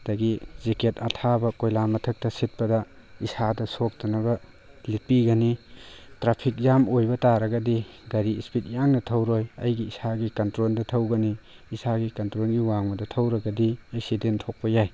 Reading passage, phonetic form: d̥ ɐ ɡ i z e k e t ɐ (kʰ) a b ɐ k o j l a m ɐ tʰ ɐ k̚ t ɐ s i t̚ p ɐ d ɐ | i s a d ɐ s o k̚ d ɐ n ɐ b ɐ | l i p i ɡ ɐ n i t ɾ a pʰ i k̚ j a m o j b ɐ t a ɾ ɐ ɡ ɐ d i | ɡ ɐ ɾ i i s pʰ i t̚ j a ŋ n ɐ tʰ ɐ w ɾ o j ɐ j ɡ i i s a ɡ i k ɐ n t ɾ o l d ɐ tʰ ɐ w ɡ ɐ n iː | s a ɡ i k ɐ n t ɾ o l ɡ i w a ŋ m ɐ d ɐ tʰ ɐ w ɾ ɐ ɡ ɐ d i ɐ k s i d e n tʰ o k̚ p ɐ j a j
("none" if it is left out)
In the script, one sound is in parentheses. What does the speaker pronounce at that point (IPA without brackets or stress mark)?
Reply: tʰ